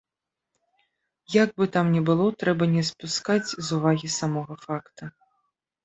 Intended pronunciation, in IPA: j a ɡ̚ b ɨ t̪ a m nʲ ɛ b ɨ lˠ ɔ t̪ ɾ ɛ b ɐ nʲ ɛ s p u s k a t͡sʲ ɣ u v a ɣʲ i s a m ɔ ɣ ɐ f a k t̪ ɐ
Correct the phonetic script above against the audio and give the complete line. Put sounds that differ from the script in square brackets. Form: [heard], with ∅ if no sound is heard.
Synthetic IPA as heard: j a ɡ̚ b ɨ t̪ a m nʲ ɛ b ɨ lˠ ɔ t̪ ɾ ɛ b ɐ nʲ ɛ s p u s k a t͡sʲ [z] u v a ɣʲ i s a m ɔ ɣ ɐ f a k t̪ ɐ